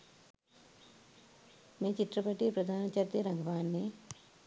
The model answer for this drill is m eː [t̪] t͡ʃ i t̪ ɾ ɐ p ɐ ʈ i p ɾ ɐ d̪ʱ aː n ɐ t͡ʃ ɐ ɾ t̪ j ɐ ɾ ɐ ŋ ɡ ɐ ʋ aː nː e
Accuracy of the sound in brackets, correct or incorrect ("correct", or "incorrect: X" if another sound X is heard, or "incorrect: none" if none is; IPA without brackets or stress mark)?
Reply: incorrect: none